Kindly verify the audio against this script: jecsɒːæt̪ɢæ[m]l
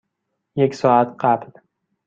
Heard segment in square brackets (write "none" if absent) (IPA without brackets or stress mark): b